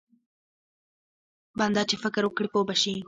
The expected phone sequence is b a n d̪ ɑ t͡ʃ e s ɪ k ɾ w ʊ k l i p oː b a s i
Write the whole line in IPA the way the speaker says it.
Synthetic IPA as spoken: b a n d̪ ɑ t͡ʃ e f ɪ k ɾ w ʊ k ɽ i p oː b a ʃ i